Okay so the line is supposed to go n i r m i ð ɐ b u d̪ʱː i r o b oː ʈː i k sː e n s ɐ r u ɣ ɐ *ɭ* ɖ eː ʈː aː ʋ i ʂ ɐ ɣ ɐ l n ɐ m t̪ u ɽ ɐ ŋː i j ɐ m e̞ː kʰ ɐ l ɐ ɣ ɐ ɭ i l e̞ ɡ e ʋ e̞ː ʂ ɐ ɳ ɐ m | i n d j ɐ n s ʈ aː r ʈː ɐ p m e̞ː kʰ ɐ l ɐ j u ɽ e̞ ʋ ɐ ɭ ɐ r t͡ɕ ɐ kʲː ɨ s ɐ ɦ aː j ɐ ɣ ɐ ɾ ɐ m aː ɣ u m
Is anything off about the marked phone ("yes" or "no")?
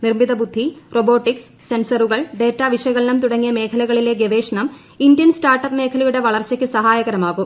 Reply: no